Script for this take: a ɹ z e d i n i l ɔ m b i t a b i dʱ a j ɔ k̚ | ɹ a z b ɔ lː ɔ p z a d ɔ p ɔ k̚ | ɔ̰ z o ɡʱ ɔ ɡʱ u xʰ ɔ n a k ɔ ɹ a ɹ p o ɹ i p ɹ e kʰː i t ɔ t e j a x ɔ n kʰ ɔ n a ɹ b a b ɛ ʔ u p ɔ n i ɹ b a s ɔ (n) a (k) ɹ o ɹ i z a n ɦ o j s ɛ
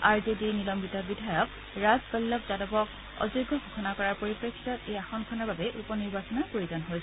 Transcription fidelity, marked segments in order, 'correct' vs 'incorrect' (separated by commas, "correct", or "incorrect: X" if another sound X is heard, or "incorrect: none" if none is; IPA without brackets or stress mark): correct, incorrect: p